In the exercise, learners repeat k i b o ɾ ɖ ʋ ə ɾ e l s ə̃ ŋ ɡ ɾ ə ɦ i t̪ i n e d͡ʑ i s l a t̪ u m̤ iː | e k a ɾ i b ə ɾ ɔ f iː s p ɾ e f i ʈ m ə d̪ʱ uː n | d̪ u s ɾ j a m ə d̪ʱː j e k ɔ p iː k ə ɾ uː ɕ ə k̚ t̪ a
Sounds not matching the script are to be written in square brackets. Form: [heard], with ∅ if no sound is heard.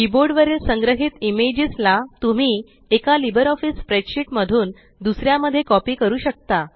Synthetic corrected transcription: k i b o ɾ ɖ ʋ ə ɾ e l s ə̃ ŋ ɡ ɾ ə ɦ i t̪ i [m] e d͡ʑ i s l a t̪ u m̤ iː | e k a [l] i b ə ɾ ɔ f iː s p ɾ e [ɕ] i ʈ m ə d̪ʱ uː n | d̪ u s ɾ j a m ə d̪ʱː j e k ɔ p iː k ə ɾ uː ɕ ə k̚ t̪ a